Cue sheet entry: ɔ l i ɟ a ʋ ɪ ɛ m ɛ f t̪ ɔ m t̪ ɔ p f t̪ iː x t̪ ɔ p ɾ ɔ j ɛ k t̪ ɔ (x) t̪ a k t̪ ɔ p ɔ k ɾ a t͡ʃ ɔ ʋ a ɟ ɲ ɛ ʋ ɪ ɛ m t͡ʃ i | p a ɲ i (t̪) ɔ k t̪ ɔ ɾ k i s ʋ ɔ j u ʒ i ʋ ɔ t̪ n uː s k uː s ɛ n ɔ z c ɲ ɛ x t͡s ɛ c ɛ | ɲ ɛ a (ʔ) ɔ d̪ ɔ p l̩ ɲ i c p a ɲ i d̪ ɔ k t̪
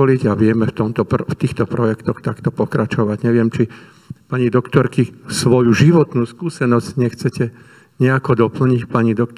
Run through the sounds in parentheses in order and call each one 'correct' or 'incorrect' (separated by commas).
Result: correct, incorrect, incorrect